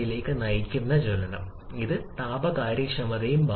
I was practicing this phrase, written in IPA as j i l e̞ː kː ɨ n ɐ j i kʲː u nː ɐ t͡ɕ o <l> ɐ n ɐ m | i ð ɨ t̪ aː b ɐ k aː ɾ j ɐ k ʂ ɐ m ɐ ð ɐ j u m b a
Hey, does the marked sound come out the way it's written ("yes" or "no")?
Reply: yes